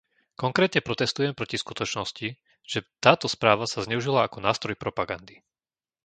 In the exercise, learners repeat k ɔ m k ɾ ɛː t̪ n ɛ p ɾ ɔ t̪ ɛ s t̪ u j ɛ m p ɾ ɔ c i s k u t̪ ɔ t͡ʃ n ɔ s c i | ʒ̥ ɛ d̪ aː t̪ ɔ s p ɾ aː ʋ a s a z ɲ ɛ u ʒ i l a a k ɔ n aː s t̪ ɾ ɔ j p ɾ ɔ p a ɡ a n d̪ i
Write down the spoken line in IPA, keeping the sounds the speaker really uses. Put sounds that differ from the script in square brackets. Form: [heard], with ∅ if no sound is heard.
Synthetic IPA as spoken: k ɔ [ŋ] k ɾ ɛː t̪ [ɲ] ɛ p ɾ ɔ t̪ ɛ s t̪ u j ɛ m p ɾ ɔ c i s k u t̪ ɔ t͡ʃ n ɔ s c i | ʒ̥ ɛ [t̪] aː t̪ ɔ s p ɾ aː ʋ a s a z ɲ ɛ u ʒ i l a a k ɔ n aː s t̪ ɾ ɔ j p ɾ ɔ p a ɡ a n d̪ i